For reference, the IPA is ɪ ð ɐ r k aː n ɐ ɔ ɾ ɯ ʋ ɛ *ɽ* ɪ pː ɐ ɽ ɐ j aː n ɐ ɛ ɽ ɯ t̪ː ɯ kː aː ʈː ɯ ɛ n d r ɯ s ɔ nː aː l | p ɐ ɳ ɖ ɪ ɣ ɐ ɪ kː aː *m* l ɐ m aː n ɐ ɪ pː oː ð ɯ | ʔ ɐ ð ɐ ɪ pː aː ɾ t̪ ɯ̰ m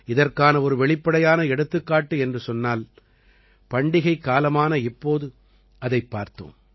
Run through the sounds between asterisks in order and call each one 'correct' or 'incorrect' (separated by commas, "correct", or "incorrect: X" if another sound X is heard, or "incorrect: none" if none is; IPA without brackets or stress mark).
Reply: incorrect: ɭ, incorrect: none